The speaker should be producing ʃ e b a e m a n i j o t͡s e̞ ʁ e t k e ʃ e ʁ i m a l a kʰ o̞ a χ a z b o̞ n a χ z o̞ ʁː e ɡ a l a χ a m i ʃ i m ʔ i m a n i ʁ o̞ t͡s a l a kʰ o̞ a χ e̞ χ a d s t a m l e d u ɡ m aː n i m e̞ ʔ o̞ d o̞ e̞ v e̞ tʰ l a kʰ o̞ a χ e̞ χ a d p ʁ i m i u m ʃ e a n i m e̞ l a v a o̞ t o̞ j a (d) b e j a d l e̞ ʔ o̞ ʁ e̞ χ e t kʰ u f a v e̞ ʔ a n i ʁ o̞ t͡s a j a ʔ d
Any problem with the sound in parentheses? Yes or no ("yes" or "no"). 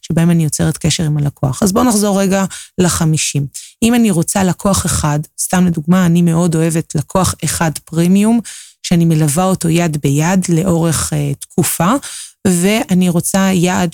no